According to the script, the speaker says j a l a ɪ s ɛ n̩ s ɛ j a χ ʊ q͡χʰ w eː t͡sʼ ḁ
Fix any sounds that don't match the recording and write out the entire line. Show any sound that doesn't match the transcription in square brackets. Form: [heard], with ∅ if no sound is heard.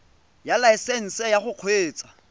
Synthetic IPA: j a l a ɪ s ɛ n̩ s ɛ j a χ ʊ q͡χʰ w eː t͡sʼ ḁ